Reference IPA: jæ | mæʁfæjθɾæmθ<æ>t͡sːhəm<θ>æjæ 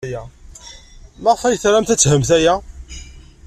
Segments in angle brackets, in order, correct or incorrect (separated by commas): correct, correct